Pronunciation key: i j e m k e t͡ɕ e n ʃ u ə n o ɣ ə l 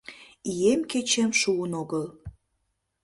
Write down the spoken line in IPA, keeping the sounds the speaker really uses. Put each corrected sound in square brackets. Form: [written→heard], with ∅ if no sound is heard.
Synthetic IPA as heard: i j e m k e t͡ɕ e [n→m] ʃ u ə n o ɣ ə l